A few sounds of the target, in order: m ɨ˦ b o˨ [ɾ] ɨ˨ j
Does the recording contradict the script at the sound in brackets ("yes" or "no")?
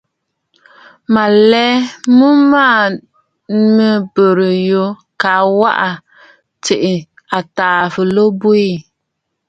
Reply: no